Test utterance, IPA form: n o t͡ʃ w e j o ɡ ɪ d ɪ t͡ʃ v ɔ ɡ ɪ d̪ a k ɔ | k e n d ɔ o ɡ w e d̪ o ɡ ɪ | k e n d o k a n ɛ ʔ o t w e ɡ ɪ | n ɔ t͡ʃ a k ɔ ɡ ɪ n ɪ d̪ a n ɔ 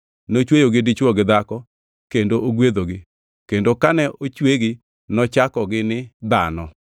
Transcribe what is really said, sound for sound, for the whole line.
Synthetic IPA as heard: n o t͡ʃ w e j o ɡ ɪ d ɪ t͡ʃ w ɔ ɡ ɪ d̪ a k ɔ | k e n d o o ɡ w e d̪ o ɡ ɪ | k e n d o k a n ɛ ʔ o t͡ʃ w e ɡ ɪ | n ɔ t͡ʃ a k ɔ ɡ ɪ n ɪ d̪ a n ɔ